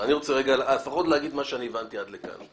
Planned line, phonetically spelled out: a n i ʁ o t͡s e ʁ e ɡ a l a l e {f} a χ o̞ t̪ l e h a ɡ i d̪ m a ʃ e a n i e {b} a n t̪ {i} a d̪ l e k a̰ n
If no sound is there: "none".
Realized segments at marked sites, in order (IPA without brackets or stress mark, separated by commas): f, v, i